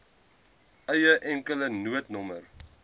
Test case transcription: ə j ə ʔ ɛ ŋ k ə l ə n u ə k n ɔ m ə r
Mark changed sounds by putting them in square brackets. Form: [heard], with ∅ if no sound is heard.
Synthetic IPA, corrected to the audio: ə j ə ʔ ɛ ŋ k ə l ə n u ə [t] n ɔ m ə r